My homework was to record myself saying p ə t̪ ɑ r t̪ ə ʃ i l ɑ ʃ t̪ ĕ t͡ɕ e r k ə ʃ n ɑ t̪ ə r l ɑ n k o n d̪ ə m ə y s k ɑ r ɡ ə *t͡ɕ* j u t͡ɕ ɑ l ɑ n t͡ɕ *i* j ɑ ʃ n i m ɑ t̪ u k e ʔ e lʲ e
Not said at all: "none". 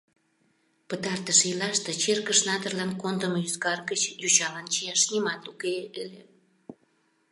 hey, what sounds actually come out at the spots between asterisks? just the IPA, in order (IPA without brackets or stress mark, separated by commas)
t͡ɕ, i